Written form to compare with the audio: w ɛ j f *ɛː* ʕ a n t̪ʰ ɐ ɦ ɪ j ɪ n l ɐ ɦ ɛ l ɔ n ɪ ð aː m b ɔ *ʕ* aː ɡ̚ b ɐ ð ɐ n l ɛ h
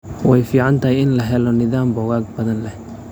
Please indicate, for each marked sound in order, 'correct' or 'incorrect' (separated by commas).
incorrect, incorrect